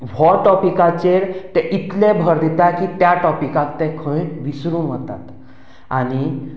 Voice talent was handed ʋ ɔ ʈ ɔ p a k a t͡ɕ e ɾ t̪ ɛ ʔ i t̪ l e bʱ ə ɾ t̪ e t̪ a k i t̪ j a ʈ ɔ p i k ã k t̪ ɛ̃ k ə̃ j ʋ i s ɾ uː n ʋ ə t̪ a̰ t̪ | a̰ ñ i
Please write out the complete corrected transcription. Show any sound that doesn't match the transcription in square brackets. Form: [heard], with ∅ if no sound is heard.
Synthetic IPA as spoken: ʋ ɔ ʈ ɔ p [i] k a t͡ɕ e ɾ t̪ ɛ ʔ i t̪ l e bʱ ə ɾ [d̪] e t̪ a k i t̪ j a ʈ ɔ p i k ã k t̪ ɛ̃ [kʰ] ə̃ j ʋ i s ɾ uː n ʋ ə t̪ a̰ t̪ | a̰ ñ i